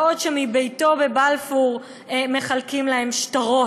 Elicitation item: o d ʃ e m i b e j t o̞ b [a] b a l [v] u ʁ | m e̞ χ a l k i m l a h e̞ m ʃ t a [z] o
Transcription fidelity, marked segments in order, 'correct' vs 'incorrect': incorrect: e, incorrect: f, incorrect: ʁ

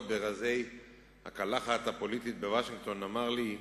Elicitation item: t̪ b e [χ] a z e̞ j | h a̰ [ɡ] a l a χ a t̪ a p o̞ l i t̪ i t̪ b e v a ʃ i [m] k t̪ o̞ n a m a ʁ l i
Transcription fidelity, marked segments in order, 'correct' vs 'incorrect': incorrect: ʁ, incorrect: k, incorrect: ŋ

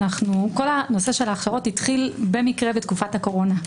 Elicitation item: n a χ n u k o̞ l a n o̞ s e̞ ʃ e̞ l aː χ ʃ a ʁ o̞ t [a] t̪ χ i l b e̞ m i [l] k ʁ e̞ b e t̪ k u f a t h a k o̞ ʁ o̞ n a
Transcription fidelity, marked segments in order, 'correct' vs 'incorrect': incorrect: i, incorrect: none

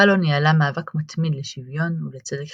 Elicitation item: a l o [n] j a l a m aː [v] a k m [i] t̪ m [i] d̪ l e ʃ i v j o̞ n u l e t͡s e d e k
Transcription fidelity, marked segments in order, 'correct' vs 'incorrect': correct, correct, incorrect: a, correct

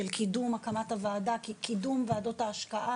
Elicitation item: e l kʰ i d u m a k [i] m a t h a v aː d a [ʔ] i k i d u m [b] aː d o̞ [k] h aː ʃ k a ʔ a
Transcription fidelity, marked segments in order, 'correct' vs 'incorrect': incorrect: a, incorrect: k, incorrect: v, incorrect: t

